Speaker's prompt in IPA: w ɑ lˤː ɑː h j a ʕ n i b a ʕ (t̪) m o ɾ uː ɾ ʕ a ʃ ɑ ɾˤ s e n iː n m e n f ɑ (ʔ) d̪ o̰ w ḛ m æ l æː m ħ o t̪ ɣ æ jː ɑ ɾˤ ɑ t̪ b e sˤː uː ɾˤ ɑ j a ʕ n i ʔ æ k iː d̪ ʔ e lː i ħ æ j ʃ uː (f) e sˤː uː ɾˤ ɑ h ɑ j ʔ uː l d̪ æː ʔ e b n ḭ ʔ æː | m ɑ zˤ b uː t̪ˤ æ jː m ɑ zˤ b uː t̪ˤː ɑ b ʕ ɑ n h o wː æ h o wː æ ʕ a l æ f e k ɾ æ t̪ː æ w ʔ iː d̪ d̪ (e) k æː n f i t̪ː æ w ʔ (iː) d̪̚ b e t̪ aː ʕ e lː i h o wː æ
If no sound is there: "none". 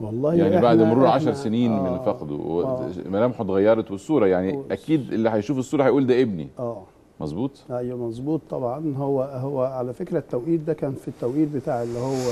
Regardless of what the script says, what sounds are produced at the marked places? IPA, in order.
d̪, q, f, æ, iː

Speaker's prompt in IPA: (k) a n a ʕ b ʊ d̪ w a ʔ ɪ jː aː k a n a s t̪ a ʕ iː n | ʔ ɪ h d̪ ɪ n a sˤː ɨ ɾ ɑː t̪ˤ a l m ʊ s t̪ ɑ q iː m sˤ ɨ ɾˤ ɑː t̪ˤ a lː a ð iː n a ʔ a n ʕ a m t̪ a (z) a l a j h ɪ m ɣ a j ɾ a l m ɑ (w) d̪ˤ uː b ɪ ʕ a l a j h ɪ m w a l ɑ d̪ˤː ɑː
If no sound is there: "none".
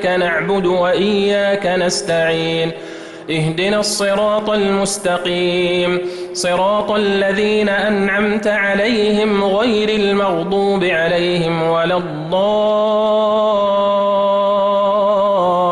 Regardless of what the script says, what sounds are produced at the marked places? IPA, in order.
k, ʕ, ɣ

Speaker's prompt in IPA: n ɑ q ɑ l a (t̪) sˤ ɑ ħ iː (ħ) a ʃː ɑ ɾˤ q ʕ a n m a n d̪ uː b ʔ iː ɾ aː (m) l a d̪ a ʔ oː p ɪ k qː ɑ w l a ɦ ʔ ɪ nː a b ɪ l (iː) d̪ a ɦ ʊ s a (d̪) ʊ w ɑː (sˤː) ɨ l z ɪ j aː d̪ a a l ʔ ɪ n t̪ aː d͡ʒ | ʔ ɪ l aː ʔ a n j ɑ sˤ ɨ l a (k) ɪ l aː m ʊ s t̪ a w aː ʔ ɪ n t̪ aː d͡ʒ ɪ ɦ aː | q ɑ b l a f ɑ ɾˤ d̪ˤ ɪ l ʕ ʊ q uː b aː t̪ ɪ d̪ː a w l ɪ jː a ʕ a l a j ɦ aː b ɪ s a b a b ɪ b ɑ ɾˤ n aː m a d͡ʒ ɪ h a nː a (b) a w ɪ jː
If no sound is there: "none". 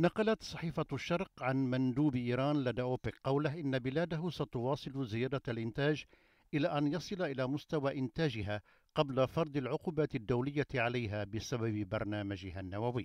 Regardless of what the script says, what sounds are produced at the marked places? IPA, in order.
t̪, f, n, aː, t̪, sˤ, ʔ, w

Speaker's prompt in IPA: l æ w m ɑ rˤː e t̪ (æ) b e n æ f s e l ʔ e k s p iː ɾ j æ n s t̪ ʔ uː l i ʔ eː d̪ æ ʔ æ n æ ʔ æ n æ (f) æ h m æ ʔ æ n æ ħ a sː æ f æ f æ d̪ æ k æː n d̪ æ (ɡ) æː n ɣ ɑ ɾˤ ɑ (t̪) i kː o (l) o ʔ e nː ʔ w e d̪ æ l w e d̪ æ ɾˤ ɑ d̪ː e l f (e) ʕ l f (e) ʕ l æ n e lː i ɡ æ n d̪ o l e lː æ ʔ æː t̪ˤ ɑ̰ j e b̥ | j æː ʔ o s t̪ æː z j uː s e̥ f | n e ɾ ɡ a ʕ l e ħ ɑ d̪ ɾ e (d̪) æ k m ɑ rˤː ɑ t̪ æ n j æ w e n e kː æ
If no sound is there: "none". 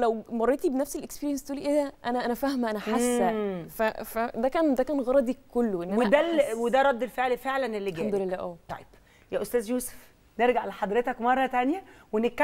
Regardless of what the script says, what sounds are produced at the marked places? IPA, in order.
i, f, k, d̪, lː, e, e, t̪

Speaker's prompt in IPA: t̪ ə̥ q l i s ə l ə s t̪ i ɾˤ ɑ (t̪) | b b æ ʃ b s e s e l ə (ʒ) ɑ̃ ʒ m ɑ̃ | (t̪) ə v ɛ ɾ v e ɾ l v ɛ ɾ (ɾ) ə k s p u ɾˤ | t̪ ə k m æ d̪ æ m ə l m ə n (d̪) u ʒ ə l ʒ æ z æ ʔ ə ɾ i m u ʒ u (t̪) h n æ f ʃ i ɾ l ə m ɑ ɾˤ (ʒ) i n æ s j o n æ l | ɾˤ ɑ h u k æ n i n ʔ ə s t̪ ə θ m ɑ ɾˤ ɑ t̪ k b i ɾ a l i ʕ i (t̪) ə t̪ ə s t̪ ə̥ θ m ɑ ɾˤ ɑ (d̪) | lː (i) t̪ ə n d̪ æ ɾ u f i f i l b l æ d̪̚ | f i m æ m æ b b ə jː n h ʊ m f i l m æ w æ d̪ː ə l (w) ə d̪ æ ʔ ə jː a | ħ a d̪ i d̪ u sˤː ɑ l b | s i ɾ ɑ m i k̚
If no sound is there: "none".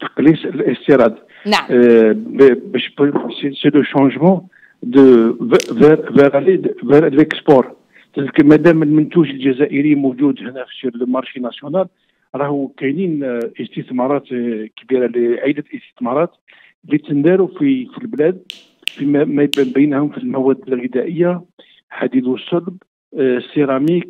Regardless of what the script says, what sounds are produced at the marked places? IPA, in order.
d̪, ʃ, d̪, l, t̪, d̪, ʃ, d̪, t̪, i, ɣ

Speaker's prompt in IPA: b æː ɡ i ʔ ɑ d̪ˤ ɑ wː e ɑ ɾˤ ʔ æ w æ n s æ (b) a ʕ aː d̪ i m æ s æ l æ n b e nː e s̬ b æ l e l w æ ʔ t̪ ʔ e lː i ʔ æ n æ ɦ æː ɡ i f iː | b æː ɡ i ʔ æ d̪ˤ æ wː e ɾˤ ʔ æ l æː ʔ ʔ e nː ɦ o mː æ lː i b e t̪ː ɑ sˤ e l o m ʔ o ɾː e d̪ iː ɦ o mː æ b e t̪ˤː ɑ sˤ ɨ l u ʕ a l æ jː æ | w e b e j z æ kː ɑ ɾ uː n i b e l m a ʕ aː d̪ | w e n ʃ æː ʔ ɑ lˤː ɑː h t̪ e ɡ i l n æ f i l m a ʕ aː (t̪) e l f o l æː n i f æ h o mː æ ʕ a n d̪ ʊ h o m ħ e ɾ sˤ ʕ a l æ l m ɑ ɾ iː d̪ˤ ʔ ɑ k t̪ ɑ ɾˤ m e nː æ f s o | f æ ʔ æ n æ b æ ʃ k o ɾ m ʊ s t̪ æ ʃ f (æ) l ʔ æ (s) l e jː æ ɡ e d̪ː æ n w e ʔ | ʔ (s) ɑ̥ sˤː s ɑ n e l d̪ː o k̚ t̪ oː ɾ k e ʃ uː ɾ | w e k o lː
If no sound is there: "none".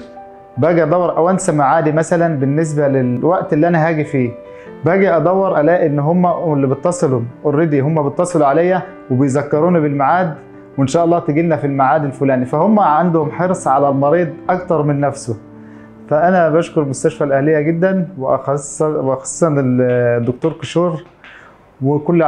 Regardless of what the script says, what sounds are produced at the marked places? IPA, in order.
m, d̪, æ, h, x

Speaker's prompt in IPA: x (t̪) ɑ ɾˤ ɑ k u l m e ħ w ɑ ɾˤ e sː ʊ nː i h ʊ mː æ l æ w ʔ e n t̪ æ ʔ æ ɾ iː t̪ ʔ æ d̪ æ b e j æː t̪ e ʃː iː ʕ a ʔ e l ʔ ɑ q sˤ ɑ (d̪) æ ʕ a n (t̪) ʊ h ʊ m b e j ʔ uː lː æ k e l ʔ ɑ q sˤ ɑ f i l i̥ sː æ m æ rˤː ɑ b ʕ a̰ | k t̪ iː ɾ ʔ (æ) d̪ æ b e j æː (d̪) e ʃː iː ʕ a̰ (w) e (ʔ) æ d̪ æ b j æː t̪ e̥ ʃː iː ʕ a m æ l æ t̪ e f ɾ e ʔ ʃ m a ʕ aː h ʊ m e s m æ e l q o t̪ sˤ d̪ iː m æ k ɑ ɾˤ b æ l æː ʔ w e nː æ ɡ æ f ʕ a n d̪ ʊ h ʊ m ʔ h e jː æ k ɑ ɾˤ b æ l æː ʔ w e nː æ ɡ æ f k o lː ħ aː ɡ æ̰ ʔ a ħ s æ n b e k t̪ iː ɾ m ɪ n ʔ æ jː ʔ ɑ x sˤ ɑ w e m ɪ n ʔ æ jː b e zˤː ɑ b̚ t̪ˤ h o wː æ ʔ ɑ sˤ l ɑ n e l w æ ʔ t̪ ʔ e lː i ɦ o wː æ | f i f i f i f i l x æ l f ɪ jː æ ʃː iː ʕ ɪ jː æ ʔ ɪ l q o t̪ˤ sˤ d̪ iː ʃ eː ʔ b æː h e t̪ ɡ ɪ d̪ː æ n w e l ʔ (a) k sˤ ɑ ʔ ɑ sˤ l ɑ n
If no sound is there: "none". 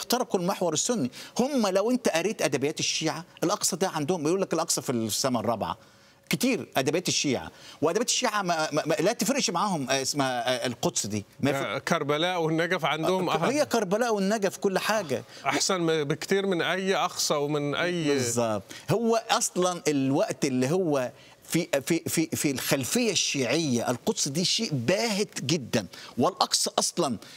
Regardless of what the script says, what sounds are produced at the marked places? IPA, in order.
t̪, d̪, d̪, æ, t̪, w, ʔ, ɑ

